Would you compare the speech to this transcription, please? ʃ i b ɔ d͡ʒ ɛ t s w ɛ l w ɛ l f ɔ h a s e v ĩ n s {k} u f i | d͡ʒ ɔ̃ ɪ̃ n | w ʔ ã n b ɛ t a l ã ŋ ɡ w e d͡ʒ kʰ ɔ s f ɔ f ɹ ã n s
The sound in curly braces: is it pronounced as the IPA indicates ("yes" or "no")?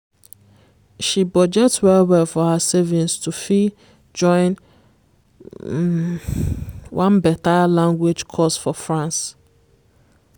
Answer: no